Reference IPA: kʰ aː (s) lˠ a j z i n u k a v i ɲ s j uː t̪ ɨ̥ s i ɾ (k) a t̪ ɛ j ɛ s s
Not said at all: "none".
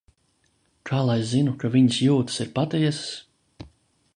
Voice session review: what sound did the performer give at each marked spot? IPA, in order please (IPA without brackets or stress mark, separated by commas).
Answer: none, p